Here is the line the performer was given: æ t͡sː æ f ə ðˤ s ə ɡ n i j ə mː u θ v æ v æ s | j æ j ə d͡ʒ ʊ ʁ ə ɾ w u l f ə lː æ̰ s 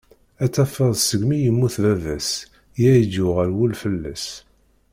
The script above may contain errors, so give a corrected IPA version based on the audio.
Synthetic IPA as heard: æ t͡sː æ f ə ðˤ s ə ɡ m i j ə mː u θ v æ v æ s | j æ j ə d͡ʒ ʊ ʁ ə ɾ w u l f ə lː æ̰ s

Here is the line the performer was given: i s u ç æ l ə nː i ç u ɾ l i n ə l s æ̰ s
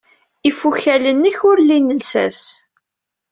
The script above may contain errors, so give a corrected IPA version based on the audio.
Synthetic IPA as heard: i f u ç æ l ə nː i ç ʊ ɾ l i n ə l s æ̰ s

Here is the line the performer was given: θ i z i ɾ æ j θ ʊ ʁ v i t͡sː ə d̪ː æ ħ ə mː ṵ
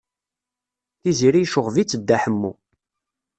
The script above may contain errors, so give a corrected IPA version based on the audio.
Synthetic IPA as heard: θ i z i ɾ i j ʃ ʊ ʁ v i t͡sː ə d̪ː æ ħ ə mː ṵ

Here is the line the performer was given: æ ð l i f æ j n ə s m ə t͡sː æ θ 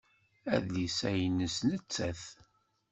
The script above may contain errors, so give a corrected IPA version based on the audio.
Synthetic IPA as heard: æ ð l i s æ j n ə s n ə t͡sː æ θ

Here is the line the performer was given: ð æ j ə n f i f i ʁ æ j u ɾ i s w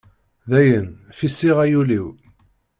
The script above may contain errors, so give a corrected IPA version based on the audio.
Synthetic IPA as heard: ð æ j ə n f i s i ʁ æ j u l i w

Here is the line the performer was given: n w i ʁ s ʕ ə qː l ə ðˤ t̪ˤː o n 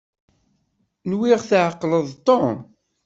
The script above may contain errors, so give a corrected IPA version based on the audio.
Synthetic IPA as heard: n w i ʁ θ ʕ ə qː l ə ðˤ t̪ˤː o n

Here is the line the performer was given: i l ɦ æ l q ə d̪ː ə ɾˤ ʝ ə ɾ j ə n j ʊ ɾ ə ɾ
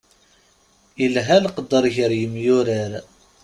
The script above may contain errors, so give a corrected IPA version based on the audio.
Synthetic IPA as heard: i l ɦ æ l q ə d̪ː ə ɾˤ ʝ ə ɾ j ə m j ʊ ɾ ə ɾ

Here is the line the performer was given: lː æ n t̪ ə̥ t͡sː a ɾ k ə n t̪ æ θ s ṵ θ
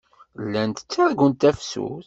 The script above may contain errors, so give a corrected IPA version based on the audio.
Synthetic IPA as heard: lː æ n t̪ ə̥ t͡sː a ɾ ɡ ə n t̪ æ f s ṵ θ

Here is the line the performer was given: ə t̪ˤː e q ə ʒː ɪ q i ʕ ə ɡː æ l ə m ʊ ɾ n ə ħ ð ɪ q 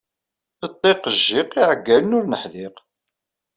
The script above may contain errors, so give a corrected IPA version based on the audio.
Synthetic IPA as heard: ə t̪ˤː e q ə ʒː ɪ q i ʕ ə ɡː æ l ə n ʊ ɾ n ə ħ ð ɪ q

